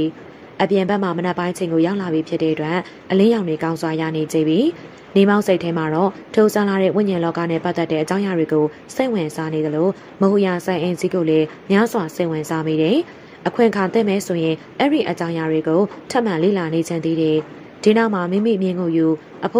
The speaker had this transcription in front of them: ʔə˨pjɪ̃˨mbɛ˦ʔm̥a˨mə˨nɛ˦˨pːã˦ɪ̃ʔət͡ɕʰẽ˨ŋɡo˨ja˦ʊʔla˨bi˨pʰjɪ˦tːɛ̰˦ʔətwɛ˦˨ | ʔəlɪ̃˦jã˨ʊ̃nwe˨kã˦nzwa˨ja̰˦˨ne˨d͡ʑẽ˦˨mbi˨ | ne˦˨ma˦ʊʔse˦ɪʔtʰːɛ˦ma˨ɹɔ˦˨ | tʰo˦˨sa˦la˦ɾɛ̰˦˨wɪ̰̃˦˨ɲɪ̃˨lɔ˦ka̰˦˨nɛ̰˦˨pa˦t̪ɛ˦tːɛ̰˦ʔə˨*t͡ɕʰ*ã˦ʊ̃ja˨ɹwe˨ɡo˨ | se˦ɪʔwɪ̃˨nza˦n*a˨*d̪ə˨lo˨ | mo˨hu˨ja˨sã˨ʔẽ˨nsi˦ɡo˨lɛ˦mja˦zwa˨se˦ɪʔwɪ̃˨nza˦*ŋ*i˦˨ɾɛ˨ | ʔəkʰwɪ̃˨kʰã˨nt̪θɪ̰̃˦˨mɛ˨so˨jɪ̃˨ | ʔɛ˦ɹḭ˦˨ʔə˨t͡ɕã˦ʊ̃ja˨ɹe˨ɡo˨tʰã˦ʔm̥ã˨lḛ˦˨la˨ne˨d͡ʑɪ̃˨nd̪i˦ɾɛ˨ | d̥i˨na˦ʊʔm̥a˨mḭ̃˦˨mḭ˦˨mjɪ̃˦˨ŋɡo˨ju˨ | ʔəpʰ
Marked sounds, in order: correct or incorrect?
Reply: incorrect, incorrect, incorrect

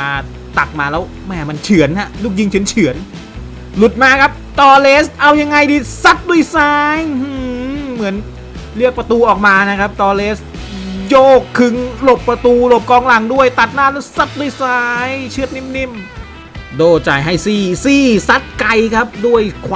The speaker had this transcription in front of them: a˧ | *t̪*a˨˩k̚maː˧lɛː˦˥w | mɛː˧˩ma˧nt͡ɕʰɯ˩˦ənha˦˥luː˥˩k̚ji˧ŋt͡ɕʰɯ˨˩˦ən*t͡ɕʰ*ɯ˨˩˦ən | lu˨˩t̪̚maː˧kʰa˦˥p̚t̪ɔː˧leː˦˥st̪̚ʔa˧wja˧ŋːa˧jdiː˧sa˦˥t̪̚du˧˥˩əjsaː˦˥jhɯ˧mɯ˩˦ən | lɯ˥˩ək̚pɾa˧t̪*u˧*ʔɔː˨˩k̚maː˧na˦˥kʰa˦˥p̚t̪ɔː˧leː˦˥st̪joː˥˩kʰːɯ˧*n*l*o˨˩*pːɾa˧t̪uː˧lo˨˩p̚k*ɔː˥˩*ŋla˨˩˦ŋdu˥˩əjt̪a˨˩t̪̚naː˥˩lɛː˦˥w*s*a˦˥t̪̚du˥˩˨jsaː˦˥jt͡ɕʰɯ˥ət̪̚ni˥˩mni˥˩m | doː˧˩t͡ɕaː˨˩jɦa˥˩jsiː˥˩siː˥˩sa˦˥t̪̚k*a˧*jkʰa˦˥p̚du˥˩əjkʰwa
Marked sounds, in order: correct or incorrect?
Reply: correct, correct, incorrect, incorrect, correct, incorrect, correct, correct

